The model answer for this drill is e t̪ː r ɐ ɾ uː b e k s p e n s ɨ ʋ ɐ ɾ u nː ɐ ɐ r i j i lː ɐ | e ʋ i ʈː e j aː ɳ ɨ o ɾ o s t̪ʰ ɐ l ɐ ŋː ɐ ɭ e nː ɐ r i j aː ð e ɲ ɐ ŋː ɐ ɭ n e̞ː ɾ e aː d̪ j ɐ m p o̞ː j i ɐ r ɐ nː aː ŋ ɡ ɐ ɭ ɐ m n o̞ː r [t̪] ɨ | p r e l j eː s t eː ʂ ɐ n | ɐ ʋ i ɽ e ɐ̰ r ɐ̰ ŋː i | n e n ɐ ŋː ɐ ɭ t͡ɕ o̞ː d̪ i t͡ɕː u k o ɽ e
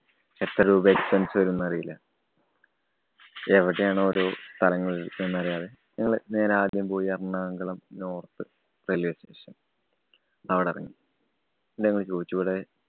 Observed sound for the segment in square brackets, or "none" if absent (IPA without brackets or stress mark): t̪